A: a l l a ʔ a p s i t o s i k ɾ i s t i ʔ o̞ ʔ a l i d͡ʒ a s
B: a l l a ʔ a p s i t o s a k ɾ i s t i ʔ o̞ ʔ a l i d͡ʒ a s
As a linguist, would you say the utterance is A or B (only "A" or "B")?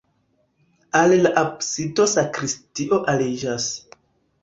B